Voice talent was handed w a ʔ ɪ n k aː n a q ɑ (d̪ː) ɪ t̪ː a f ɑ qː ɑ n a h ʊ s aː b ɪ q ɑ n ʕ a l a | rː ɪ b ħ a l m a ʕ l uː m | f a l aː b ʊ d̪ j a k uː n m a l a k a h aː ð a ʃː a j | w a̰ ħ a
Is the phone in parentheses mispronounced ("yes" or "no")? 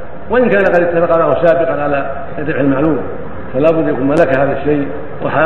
yes